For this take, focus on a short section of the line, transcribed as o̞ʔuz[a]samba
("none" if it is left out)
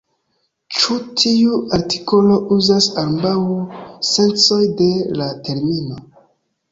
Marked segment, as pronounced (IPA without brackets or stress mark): a